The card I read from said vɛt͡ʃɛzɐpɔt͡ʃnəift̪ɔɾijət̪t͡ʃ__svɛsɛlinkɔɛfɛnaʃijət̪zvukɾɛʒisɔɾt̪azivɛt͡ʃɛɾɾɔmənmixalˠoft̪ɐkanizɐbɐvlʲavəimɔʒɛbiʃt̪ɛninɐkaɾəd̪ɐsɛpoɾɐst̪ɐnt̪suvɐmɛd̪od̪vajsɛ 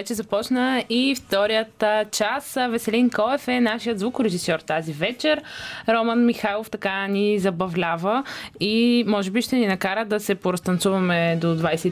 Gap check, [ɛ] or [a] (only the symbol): a